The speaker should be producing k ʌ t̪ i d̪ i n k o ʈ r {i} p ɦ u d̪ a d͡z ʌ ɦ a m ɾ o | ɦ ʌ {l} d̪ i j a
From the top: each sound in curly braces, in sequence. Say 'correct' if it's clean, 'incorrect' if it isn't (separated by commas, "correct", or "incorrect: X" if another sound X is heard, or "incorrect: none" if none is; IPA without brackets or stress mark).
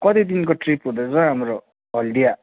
correct, correct